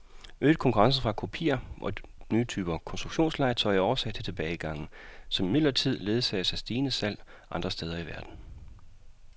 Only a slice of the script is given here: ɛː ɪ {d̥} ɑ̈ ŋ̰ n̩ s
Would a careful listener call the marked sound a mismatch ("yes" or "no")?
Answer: yes